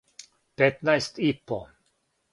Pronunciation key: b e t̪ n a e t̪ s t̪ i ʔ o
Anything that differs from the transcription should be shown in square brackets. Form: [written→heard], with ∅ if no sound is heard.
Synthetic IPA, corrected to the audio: [b→p] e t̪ n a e [t̪→∅] s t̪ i [ʔ→p] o